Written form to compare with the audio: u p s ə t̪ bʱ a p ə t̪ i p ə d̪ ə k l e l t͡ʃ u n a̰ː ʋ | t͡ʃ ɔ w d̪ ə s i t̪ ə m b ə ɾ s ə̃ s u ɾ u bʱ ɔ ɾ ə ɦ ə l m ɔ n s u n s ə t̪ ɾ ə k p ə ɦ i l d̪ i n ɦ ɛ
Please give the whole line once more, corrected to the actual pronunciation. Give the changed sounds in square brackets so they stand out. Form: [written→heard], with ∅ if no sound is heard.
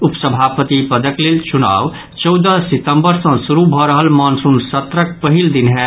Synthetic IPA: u p s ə [t̪→∅] bʱ a p ə t̪ i p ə d̪ ə k l e l t͡ʃ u n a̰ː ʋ | t͡ʃ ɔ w d̪ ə s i t̪ ə m b ə ɾ s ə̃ s u ɾ u bʱ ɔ ɾ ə ɦ ə l m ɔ n s u n s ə t̪ ɾ ə k p ə ɦ i l d̪ i n ɦ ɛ